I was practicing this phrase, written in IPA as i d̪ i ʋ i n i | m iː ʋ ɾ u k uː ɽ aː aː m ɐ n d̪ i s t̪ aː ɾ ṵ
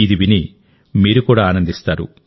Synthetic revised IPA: i d̪ i ʋ i n i | m iː ɾ u k uː ɽ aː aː n ɐ n d̪ i s t̪ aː ɾ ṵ

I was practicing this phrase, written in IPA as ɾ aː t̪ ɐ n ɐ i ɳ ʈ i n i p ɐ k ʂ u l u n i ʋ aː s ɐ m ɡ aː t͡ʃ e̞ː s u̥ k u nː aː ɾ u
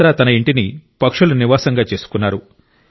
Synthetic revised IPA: ɾ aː t̪ ɐ n ɐ i ɳ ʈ i n i p ɐ k ʂ u l u n i ʋ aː s ɐ ŋ ɡ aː t͡ʃ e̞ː s u̥ k u nː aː ɾ u

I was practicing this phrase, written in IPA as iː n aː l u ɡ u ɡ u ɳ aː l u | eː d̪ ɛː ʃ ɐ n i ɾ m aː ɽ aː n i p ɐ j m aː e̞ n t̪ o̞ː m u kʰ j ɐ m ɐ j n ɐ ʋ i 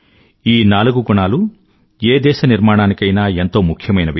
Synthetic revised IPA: iː n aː l u ɡ u ɡ u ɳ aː l u | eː d̪ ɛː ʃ ɐ n i ɾ m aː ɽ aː n i k ɐ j n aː e̞ n t̪ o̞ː m u kʰ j ɐ m ɐ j n ɐ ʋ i

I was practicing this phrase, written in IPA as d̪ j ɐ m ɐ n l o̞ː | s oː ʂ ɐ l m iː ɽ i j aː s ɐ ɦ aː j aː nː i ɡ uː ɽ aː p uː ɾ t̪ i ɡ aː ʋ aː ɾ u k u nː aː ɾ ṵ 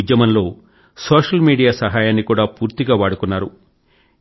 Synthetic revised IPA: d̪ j ɐ m ɐ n l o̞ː | s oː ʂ ɐ l m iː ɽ i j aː s ɐ ɦ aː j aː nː i k uː ɽ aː p uː ɾ t̪ i ɡ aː ʋ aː ɽ u k u nː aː ɾ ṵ

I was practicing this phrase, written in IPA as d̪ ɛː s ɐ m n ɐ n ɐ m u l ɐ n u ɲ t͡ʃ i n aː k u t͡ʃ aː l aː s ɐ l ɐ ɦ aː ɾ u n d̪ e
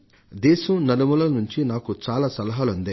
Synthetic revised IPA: d̪ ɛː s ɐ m n ɐ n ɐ m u l ɐ n u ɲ t͡ʃ i n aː k u t͡ʃ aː l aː s ɐ l ɐ ɦ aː l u n d̪ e

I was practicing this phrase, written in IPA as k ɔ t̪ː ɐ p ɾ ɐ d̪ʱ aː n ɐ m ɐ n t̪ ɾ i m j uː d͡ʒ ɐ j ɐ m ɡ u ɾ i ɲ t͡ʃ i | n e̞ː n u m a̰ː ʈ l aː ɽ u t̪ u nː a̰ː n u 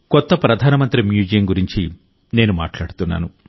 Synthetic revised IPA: k ɔ t̪ː ɐ p ɾ ɐ d̪ʱ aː n ɐ m ɐ n t̪ ɾ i m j uː d͡ʒ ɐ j ɐ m ɡ u ɾ i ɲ t͡ʃ i | n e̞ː n u m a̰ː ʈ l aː ɽ u t̪ u nː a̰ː n u

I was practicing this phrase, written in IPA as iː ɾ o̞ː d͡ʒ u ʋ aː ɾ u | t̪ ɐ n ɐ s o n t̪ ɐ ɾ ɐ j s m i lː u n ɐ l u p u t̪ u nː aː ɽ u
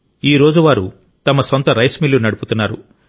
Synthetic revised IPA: iː ɾ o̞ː d͡ʒ u ʋ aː ɾ u | t̪ ɐ m ɐ s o n t̪ ɐ ɾ ɐ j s m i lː u n ɐ ɽ u p u t̪ u nː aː ɾ u

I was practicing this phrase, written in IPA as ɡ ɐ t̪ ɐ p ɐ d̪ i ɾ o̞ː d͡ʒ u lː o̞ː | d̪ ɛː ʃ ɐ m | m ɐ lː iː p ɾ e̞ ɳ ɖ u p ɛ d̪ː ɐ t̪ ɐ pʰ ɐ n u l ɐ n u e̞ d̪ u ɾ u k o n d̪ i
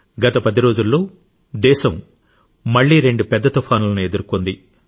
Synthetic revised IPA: ɡ ɐ t̪ ɐ p ɐ d̪ i ɾ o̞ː d͡ʒ u lː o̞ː | d̪ ɛː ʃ ɐ m | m ɐ ɭː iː ɾ e̞ ɳ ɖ u p ɛ d̪ː ɐ t̪ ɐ pʰ ɐ n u l ɐ n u e̞ d̪ u ɾ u k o n d̪ i

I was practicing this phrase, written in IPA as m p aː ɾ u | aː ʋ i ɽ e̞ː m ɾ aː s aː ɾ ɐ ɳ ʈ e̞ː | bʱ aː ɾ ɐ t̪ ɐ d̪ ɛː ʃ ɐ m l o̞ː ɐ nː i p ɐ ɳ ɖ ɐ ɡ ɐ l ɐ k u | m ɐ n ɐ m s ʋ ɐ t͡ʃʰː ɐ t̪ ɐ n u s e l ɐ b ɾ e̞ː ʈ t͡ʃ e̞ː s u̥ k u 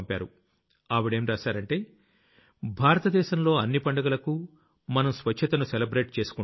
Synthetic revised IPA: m p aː ɾ u | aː ʋ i ɽ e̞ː m ɾ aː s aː ɾ ɐ ɳ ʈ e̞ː | bʱ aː ɾ ɐ t̪ ɐ d̪ ɛː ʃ ɐ m l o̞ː ɐ nː i p ɐ ɳ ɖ ɐ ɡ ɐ l ɐ k u | m ɐ n ɐ m s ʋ ɐ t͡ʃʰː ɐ t̪ ɐ n u s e l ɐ b ɾ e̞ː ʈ t͡ʃ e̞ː s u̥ k u

